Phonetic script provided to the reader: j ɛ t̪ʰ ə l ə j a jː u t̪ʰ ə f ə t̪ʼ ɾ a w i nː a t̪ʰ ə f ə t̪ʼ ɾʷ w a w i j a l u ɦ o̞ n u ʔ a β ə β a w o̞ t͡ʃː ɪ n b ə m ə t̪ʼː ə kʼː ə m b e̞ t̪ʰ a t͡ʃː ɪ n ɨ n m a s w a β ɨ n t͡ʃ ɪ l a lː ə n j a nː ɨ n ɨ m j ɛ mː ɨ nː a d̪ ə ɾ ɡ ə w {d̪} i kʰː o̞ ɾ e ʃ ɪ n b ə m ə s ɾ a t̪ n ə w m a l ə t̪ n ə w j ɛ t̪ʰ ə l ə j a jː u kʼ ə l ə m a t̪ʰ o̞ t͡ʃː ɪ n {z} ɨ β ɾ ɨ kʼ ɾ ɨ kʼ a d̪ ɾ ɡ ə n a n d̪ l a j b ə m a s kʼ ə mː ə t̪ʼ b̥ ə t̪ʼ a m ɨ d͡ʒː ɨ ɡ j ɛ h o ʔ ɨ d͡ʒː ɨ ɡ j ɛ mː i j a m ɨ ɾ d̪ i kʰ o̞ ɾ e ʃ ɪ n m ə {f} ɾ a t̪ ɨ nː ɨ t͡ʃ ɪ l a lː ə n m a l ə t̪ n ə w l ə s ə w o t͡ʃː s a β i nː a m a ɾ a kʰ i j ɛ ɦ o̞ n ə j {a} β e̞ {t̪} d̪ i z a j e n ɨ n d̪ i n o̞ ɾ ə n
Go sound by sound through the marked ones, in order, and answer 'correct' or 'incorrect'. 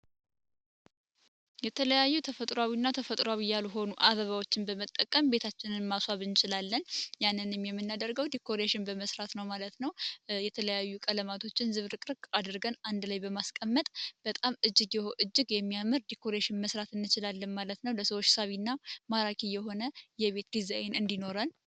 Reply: correct, correct, incorrect: s, incorrect: ɛ, correct

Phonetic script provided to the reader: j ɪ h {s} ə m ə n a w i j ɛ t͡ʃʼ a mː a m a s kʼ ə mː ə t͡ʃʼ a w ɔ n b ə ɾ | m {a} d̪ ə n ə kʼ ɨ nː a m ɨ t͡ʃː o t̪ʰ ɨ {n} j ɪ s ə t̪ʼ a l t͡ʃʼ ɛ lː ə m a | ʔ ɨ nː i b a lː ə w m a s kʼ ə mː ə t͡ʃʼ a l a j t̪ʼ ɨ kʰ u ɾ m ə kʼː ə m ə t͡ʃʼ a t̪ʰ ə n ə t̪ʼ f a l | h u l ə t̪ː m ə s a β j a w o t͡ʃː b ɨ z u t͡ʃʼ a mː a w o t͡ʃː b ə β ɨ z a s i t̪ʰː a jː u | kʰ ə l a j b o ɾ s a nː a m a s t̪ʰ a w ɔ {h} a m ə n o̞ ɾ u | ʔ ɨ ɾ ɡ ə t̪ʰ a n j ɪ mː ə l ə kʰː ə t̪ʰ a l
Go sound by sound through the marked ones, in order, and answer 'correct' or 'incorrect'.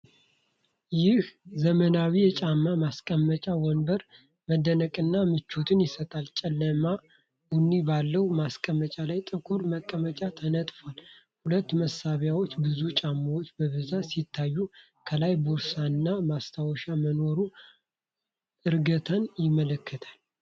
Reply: incorrect: z, incorrect: ə, correct, incorrect: ʃ

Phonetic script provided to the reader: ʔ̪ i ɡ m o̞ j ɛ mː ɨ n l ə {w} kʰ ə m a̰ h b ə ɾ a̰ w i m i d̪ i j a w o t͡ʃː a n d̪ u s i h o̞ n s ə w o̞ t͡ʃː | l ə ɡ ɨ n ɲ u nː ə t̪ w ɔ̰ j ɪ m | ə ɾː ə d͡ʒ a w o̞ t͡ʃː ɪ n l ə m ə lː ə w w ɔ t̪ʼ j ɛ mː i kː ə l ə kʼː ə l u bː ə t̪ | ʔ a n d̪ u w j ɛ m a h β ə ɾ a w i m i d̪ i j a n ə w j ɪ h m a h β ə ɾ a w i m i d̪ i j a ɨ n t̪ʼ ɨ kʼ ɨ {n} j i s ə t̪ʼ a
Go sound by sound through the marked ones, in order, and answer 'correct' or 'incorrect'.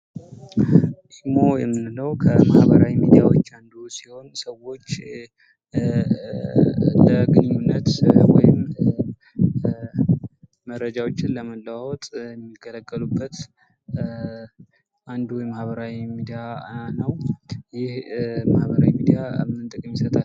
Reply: correct, incorrect: m

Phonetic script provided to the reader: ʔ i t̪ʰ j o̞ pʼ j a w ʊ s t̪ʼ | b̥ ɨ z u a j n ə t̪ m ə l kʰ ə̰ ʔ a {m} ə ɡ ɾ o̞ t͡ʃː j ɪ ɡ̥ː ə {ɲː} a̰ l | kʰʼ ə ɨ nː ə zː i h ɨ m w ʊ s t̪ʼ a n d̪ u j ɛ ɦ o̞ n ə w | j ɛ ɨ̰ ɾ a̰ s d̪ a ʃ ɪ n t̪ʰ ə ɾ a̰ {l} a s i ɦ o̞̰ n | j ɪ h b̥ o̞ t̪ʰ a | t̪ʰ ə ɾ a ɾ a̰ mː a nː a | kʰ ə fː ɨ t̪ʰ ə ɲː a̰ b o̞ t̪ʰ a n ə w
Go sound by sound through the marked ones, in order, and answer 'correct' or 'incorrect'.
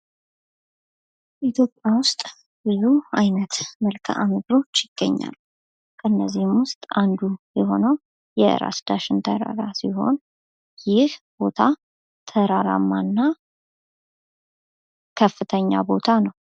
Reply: correct, correct, incorrect: ɾ

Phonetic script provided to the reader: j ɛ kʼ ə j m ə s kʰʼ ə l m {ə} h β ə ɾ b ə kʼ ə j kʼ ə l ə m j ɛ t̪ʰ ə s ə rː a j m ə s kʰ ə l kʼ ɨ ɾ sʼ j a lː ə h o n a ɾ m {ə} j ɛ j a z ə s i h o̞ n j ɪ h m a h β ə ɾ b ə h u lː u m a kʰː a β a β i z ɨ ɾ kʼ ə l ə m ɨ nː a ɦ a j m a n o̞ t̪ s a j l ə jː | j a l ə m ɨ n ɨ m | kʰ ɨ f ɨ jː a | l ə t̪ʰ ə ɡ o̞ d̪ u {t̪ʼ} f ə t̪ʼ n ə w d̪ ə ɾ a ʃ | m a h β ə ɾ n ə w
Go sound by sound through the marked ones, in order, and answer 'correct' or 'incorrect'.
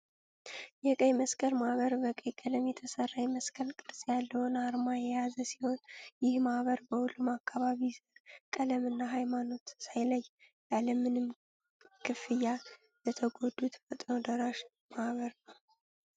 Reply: incorrect: a, incorrect: a, incorrect: t̪

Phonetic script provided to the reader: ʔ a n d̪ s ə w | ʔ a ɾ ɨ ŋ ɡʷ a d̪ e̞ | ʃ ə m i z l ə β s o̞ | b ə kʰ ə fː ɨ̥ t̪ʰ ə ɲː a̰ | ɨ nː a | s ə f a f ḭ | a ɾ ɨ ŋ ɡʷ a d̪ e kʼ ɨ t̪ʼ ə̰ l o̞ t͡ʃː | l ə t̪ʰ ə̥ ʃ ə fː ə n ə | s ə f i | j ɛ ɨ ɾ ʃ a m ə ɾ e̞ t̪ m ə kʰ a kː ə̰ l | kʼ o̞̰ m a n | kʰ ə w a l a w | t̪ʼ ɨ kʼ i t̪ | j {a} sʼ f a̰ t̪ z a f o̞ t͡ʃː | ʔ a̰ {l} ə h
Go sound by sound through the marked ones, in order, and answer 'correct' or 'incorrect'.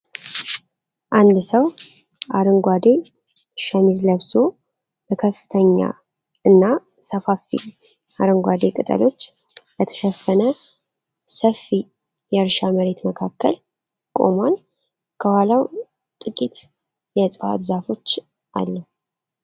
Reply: incorrect: ɛ, incorrect: lː

